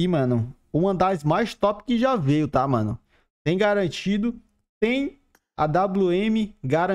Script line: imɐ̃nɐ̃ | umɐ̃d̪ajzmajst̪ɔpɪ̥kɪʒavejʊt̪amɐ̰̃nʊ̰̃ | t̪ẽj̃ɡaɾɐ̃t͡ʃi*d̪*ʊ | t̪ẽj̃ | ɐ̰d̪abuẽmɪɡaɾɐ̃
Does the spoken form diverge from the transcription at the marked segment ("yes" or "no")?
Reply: no